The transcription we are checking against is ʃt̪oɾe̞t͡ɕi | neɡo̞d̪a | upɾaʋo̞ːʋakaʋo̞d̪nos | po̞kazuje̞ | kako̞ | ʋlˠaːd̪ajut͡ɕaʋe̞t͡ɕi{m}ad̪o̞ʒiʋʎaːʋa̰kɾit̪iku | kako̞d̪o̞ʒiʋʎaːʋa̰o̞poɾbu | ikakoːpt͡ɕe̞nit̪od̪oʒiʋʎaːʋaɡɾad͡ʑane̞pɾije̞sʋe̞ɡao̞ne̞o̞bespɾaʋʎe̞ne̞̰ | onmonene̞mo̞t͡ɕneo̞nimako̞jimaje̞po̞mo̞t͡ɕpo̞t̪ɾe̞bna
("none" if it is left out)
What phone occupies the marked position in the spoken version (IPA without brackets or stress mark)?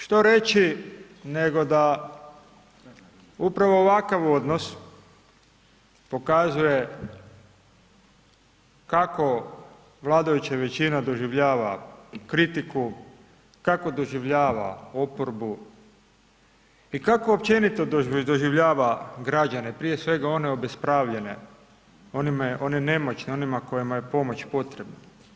n